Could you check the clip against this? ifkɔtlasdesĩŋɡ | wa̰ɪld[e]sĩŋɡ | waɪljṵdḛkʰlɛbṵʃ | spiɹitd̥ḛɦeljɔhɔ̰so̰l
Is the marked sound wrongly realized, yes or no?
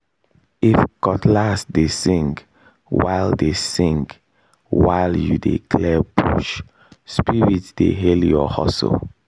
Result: no